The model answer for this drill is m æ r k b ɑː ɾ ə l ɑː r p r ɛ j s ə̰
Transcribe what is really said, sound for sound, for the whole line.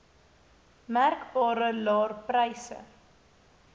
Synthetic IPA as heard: m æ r k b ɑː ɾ ə l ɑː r p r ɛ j s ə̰